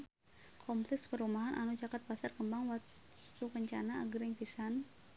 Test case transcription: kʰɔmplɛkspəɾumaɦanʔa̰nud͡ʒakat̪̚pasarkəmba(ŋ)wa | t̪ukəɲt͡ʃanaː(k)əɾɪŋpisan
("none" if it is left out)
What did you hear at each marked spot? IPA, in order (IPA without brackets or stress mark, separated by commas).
ŋ, ɡ